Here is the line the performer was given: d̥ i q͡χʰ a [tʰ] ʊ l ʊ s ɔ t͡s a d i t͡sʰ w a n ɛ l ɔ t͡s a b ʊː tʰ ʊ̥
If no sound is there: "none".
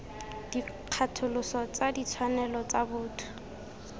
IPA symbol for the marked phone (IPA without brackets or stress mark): tʰ